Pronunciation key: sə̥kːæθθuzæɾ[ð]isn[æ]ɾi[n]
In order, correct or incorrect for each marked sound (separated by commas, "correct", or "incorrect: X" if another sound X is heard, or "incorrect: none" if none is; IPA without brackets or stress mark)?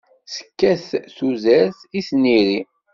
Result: incorrect: θ, incorrect: i, incorrect: none